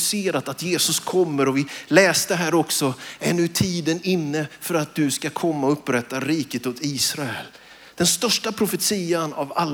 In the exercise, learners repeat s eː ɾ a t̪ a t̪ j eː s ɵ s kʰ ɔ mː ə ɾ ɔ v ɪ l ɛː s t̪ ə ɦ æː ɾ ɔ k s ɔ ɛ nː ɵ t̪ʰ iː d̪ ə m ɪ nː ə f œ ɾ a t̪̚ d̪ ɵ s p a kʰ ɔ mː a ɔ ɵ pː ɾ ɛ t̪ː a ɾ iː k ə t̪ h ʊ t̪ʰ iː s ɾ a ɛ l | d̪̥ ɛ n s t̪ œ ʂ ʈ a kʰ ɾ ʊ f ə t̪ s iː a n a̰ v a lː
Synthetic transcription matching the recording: s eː ɾ a t̪ a t̪ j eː s ɵ s kʰ ɔ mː ə ɾ ɔ v ɪ l ɛː s t̪ ə ɦ æː ɾ ɔ k s ɔ ɛ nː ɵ t̪ʰ iː d̪ ə n ɪ nː ə f œ ɾ a t̪̚ d̪ ɵ s k a kʰ ɔ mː a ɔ ɵ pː ɾ ɛ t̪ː a ɾ iː k ə t̪ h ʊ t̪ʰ iː s ɾ a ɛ l | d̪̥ ɛ n s t̪ œ ʂ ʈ a pʰ ɾ ʊ f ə t̪ s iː a n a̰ v a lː